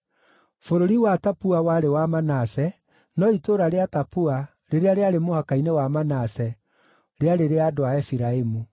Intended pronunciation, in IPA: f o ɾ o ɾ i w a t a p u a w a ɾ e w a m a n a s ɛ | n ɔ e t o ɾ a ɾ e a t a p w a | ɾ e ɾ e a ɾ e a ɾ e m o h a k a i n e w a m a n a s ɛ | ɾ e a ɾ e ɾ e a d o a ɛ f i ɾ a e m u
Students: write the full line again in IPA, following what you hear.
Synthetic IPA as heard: f o ɾ o ɾ i w a t a p u a w a ɾ e w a m a n a s ɛ | n ɔ i t o ɾ a ɾ e a t a p u a | ɾ e ɾ e a ɾ e a ɾ e m o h a k a i n e w a m a n a s ɛ | ɾ e a ɾ e ɾ e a d o a ɛ f i ɾ a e m u